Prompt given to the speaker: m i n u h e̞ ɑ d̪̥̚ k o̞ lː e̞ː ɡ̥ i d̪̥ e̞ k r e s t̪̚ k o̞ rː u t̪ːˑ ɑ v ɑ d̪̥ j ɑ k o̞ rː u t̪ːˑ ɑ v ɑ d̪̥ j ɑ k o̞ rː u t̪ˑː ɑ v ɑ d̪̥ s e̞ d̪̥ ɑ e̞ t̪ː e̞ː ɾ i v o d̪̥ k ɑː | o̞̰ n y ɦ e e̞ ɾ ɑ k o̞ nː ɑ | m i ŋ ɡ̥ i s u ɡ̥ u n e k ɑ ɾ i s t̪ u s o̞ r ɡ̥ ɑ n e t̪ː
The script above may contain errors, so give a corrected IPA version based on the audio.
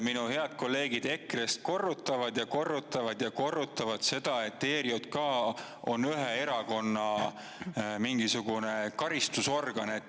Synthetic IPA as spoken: m i n u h e̞ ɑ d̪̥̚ k o̞ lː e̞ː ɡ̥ i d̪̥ e̞ k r e s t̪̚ k o̞ rː u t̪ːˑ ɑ v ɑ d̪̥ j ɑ k o̞ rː u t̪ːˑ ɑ v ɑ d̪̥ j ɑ k o̞ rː u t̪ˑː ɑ v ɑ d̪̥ s e̞ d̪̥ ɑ e̞ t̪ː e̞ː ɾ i o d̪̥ k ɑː | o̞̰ n y ɦ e e̞ ɾ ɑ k o̞ nː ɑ | m i ŋ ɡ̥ i s u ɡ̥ u n e k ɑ ɾ i s t̪ u s o̞ r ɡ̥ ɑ n e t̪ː